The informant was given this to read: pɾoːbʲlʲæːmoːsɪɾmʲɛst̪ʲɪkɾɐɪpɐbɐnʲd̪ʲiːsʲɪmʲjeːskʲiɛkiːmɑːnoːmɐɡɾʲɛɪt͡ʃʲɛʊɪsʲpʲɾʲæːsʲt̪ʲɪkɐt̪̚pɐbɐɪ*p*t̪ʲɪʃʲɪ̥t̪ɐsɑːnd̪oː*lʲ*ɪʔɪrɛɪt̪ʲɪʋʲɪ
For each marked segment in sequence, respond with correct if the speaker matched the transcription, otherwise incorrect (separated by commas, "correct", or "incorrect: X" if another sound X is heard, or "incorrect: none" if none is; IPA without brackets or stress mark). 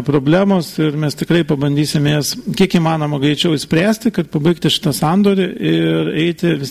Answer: incorrect: k, incorrect: ɾʲ